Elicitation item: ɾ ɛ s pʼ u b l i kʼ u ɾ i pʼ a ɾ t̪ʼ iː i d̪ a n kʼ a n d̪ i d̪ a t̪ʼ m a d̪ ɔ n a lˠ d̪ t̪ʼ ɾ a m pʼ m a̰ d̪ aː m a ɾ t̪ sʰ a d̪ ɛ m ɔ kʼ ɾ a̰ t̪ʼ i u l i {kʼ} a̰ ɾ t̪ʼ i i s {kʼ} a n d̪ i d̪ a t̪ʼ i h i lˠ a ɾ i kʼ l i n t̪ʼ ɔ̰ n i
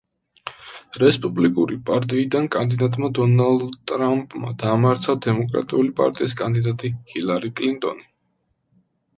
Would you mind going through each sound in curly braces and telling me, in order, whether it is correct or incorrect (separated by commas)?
incorrect, correct